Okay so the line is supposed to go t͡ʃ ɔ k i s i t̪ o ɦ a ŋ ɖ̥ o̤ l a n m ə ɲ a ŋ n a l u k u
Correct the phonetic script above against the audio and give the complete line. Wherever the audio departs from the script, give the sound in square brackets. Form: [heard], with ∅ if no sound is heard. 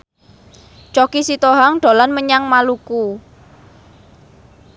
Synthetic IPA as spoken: t͡ʃ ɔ k i s i t̪ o ɦ a ŋ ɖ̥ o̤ l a n m ə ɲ a ŋ [m] a l u k u